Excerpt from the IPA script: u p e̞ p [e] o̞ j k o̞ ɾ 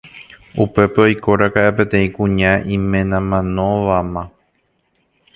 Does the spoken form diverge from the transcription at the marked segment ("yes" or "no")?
no